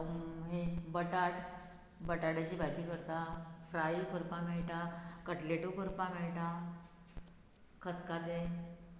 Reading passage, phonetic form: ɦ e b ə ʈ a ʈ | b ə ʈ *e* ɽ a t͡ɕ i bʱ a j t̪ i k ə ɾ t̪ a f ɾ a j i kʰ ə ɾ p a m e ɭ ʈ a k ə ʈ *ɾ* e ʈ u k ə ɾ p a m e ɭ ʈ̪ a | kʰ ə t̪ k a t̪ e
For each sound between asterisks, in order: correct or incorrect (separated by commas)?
incorrect, incorrect